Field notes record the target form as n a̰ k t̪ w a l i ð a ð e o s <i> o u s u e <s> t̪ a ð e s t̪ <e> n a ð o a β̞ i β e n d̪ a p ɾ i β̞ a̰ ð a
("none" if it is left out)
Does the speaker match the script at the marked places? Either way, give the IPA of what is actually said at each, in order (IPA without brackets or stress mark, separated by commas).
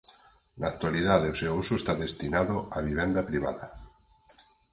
e, s, i